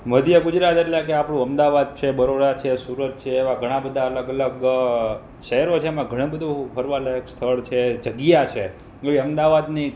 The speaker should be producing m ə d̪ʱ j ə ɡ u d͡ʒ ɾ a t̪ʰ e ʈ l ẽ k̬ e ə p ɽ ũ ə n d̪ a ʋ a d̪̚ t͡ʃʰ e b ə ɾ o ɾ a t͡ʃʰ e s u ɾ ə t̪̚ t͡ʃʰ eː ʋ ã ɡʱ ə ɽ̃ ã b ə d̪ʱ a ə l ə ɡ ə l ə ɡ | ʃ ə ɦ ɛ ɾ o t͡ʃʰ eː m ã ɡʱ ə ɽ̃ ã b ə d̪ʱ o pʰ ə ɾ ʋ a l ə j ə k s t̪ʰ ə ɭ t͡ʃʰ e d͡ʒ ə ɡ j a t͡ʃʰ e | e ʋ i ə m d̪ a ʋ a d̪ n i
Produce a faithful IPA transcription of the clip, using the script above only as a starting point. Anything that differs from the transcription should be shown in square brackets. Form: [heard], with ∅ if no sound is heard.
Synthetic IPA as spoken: m ə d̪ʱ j ə ɡ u d͡ʒ ɾ a [t̪] e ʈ l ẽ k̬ e [a] p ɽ ũ ə [m] d̪ a ʋ a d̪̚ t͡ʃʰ e b ə ɾ o ɾ a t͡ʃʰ e s u ɾ ə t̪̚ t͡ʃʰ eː ʋ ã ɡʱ ə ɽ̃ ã b ə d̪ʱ a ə l ə ɡ ə l ə ɡ | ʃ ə ɦ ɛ ɾ o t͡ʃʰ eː m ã ɡʱ ə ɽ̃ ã b ə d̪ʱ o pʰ ə ɾ ʋ a l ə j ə k s t̪ʰ ə ɭ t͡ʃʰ e d͡ʒ ə ɡ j a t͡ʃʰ e | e ʋ i ə m d̪ a ʋ a d̪ n i